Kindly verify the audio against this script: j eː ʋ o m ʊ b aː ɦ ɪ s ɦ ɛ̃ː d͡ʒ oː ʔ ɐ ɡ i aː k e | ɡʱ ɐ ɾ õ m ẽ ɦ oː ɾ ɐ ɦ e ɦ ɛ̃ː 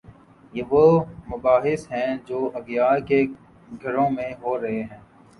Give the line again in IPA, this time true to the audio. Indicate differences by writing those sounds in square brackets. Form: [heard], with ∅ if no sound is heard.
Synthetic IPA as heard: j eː ʋ o m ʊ b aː ɦ ɪ s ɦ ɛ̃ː d͡ʒ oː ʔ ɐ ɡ [j] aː k e | ɡʱ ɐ ɾ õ m ẽ ɦ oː ɾ ɐ ɦ e ɦ ɛ̃ː